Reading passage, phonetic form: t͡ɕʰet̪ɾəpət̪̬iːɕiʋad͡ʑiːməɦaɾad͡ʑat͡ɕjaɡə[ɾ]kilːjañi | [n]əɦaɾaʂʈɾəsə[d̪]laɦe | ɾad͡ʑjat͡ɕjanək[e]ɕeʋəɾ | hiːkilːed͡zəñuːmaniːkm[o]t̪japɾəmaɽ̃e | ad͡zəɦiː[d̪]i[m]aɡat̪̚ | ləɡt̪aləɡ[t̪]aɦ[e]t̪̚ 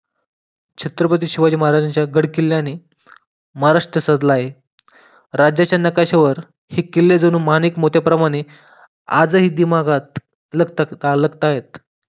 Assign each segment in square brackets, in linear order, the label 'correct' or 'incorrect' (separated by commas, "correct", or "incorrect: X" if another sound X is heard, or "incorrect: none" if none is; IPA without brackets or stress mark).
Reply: incorrect: ɽ, incorrect: m, correct, incorrect: a, correct, correct, correct, correct, correct